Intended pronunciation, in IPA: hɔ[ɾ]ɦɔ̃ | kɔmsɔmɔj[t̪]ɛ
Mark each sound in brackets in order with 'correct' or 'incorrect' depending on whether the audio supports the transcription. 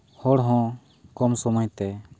incorrect: ɽ, correct

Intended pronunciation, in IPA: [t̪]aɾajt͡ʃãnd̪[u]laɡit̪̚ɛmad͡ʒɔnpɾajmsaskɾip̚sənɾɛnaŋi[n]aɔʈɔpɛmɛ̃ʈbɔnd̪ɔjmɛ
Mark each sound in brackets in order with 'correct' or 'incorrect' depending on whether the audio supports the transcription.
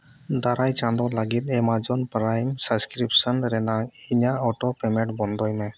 incorrect: d̪, incorrect: ɔ, incorrect: ɲ

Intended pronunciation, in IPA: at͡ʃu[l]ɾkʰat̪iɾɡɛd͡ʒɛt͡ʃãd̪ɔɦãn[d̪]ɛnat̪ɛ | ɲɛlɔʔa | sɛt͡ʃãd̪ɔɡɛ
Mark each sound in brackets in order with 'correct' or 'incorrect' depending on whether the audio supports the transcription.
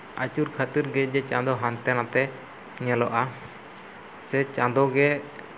incorrect: none, incorrect: t̪

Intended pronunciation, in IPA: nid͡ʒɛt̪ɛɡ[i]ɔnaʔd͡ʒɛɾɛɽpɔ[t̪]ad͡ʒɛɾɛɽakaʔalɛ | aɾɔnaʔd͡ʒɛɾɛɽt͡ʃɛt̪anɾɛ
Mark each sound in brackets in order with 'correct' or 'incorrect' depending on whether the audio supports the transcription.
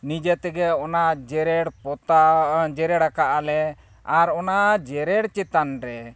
incorrect: ɛ, correct

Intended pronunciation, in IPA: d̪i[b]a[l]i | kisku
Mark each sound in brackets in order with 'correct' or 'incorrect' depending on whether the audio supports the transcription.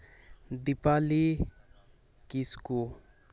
incorrect: p, correct

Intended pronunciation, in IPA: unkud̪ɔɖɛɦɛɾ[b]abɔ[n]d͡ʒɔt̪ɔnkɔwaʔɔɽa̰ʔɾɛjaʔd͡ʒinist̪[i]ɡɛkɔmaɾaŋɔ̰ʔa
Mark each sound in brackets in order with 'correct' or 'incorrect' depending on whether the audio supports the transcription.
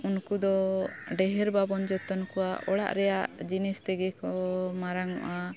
correct, correct, incorrect: ɛ

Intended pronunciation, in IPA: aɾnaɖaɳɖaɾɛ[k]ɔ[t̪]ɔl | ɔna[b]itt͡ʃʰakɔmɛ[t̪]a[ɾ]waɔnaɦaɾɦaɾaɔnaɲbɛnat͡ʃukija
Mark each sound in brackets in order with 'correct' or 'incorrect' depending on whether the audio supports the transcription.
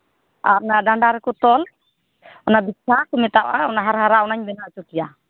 correct, correct, correct, correct, incorrect: none

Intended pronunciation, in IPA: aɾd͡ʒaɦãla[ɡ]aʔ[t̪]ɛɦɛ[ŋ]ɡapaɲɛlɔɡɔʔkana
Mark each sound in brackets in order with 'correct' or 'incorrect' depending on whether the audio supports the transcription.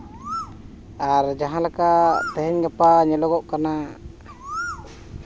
incorrect: k, correct, incorrect: ɲ

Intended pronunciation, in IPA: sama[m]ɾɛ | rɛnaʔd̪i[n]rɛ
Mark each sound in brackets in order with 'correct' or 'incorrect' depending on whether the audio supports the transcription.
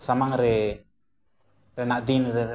incorrect: ŋ, correct

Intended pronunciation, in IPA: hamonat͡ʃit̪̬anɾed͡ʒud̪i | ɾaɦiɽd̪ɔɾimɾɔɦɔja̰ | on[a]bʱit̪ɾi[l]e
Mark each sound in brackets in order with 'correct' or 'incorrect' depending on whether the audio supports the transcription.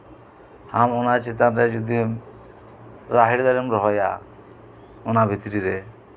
correct, incorrect: ɾ

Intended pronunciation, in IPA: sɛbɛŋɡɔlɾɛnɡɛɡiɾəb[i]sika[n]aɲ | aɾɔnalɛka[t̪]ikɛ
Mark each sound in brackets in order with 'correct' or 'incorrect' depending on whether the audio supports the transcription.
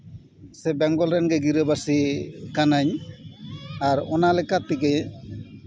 incorrect: a, correct, correct

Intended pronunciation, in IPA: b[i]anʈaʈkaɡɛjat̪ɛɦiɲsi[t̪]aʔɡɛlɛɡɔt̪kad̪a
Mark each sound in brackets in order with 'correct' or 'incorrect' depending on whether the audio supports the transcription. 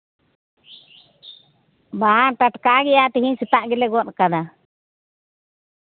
incorrect: a, correct

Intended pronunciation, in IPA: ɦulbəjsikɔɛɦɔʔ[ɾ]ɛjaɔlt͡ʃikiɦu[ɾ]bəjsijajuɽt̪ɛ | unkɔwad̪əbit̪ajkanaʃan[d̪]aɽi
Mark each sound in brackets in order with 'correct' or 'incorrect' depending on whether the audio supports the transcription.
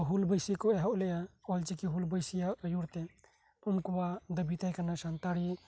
incorrect: l, incorrect: l, incorrect: t̪

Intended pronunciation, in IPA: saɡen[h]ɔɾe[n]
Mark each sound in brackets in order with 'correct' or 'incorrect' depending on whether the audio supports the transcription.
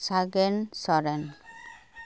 incorrect: s, correct

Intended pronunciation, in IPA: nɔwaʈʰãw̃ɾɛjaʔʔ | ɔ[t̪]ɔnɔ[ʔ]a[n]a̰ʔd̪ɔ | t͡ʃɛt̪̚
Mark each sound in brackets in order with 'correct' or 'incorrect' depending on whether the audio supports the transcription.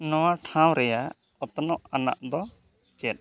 correct, correct, correct

